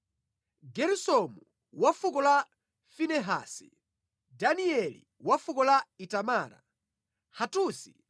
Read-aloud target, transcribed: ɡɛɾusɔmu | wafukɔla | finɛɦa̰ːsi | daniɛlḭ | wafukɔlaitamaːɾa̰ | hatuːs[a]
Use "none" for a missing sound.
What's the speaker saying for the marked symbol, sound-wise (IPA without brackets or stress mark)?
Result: i